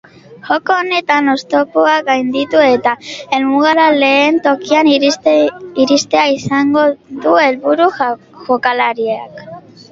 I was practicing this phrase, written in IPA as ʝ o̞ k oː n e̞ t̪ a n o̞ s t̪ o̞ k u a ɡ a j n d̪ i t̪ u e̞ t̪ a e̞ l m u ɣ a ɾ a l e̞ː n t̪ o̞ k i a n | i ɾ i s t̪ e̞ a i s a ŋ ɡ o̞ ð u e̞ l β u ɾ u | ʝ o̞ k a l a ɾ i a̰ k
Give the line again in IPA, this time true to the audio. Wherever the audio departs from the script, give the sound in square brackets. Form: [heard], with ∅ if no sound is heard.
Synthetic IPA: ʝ o̞ k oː n e̞ t̪ a n o̞ s t̪ o̞ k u a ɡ a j n d̪ i t̪ u e̞ t̪ a e̞ l m u ɣ a ɾ a l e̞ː n t̪ o̞ k i a n | i ɾ i s t̪ e̞ a i s a ŋ ɡ o̞ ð u e̞ l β u ɾ u | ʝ o̞ k a l a ɾ i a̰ k